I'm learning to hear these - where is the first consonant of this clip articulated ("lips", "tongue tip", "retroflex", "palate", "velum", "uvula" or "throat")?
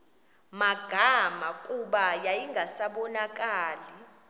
lips